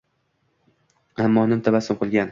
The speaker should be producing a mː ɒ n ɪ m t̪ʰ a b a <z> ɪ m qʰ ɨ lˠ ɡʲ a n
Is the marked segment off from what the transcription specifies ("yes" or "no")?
yes